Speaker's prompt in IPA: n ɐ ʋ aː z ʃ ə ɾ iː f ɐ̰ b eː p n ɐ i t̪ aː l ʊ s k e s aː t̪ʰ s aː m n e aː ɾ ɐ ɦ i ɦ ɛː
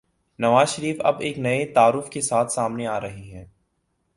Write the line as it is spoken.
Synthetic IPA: n ɐ ʋ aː z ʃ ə ɾ iː f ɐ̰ b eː k n ɐ e t̪ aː ɾ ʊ f k e s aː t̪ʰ s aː m n e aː ɾ ɐ ɦ i ɦ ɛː